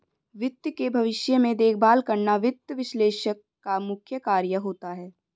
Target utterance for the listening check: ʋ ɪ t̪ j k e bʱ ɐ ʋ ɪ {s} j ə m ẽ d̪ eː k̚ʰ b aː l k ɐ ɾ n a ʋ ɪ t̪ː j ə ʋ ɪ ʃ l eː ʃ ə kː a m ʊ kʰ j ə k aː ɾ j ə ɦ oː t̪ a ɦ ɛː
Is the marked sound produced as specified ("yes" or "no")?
no